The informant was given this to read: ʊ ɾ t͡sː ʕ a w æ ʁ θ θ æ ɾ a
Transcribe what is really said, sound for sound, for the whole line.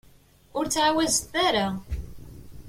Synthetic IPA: ʊ ɾ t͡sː ʕ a w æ z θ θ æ ɾ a